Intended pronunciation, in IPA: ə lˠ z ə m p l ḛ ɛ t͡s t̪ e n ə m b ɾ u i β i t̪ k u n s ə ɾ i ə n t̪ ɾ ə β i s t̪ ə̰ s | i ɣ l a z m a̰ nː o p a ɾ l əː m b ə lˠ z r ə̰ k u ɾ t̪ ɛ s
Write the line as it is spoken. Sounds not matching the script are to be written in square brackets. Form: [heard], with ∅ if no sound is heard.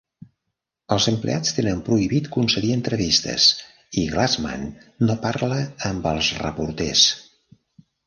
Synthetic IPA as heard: ə lˠ z ə m p l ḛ [a] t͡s t̪ e n ə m [p] ɾ u i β i t̪ k u n s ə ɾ i ə n t̪ ɾ ə β i s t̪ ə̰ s | i ɣ l a z m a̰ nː o p a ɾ l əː m b ə lˠ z r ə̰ [p] u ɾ t̪ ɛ s